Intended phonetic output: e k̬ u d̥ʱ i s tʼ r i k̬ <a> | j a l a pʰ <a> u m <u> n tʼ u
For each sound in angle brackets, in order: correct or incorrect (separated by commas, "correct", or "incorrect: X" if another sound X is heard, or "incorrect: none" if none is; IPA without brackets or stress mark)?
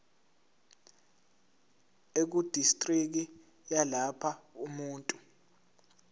incorrect: i, correct, incorrect: uː